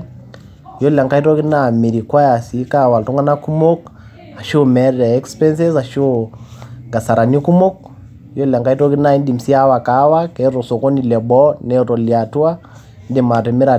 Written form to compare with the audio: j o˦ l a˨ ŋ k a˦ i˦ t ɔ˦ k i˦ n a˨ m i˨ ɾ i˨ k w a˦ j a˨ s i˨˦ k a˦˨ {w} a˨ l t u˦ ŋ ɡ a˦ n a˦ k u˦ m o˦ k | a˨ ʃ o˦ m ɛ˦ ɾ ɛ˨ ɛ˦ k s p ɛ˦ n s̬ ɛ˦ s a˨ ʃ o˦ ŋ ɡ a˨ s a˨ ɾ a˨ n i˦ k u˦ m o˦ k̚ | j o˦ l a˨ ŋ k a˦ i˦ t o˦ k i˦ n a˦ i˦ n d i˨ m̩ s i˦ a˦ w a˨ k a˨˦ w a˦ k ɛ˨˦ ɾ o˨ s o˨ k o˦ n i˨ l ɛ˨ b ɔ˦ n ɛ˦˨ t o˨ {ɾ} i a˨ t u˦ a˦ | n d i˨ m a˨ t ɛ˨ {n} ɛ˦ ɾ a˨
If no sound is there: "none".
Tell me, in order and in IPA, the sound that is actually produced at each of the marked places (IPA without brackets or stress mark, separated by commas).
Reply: w, l, m